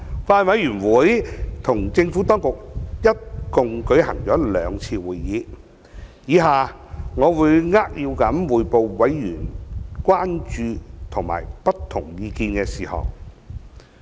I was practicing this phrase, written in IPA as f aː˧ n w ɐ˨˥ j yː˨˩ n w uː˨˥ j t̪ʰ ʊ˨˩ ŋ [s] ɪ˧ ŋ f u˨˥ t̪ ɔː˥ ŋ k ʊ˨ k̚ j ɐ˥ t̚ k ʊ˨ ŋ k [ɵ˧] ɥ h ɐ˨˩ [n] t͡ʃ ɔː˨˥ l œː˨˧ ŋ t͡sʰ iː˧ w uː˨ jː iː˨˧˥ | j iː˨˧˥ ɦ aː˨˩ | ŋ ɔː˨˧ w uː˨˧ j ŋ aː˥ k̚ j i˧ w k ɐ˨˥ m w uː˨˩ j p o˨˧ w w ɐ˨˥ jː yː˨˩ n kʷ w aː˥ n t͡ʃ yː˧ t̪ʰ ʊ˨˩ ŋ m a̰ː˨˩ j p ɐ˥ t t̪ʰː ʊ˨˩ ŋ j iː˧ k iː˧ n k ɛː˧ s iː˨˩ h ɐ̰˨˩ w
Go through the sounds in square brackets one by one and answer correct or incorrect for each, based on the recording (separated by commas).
incorrect, incorrect, incorrect